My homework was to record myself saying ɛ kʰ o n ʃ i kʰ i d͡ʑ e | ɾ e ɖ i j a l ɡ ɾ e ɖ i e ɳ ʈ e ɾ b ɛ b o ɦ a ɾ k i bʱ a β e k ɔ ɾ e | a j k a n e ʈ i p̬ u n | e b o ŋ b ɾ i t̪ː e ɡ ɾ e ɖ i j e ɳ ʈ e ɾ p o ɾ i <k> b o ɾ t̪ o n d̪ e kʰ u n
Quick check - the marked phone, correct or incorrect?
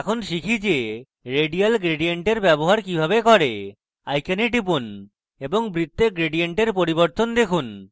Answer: incorrect